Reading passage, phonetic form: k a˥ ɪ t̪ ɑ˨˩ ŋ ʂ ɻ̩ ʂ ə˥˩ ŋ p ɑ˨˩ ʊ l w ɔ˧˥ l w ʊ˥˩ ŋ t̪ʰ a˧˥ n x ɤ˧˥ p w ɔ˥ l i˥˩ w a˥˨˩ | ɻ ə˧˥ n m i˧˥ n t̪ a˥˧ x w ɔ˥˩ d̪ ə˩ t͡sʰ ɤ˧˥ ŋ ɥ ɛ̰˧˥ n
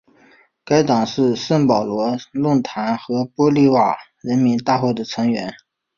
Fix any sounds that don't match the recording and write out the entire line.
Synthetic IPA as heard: k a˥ ɪ t̪ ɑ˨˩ ŋ ʂ ɻ̩ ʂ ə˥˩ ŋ p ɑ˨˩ ʊ l w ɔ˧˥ l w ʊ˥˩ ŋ t̪ʰ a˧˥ n x ɤ˧˥ p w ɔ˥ l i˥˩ w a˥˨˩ | ɻ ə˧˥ n m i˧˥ n t̪ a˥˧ x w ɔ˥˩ d̪ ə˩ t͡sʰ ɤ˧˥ ŋ ɥ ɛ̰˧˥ n